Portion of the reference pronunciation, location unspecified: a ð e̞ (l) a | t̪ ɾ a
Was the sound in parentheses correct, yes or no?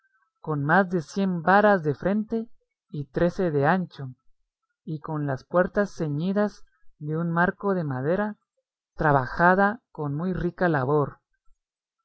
no